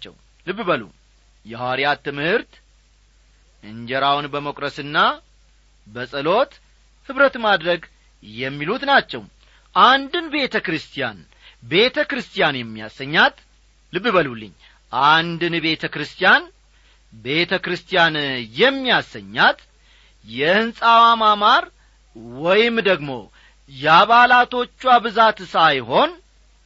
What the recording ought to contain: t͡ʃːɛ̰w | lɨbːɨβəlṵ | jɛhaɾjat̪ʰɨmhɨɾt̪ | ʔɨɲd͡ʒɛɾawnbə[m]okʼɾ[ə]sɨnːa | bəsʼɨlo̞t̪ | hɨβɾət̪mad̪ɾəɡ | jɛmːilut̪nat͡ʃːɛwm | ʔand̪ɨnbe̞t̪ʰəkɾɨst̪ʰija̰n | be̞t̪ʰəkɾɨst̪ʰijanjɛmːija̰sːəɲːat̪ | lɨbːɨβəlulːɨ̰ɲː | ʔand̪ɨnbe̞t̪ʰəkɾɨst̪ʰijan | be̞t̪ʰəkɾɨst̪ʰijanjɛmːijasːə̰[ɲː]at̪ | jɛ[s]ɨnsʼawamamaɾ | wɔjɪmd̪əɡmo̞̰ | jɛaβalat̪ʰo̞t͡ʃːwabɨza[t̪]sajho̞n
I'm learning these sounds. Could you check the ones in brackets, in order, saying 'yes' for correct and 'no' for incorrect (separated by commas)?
yes, yes, yes, no, yes